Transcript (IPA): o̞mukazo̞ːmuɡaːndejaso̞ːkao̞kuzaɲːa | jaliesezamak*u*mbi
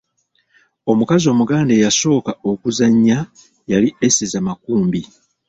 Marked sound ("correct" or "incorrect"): incorrect